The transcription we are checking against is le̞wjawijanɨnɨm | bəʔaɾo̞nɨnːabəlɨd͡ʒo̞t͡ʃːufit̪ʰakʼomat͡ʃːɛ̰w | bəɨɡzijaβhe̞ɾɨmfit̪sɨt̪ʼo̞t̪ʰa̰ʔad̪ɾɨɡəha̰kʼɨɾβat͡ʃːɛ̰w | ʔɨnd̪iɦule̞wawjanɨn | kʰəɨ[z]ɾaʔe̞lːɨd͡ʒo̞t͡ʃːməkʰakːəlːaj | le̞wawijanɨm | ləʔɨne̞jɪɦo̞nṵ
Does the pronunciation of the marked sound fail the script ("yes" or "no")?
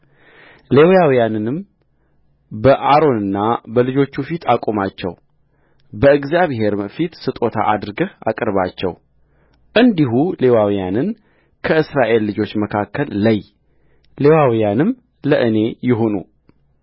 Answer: yes